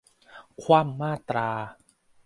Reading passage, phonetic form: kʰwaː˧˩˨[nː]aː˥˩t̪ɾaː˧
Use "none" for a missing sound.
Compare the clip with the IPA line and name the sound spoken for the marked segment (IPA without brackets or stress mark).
mː